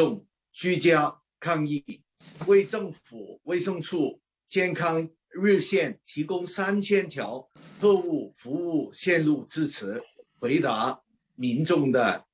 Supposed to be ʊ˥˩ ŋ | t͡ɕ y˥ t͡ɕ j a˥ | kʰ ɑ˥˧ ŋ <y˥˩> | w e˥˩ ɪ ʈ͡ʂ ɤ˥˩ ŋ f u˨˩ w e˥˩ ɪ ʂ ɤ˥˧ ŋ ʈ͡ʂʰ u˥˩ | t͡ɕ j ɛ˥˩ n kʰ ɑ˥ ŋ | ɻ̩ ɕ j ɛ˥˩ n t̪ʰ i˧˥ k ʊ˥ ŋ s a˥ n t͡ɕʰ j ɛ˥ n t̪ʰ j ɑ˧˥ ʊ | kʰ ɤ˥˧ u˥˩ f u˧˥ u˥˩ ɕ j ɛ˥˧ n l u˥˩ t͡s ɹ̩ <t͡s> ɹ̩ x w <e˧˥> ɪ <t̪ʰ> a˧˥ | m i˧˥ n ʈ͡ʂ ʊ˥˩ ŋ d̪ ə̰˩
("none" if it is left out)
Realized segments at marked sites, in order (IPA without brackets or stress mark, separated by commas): i˥˩, t͡sʰ, e˧˥, t̪